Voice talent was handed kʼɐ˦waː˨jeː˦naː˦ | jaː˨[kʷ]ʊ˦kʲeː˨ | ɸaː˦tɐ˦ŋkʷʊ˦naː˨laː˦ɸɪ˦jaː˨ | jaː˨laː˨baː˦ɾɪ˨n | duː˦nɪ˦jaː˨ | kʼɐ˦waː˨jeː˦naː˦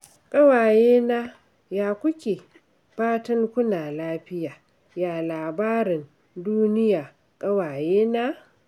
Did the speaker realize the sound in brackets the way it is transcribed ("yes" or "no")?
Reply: yes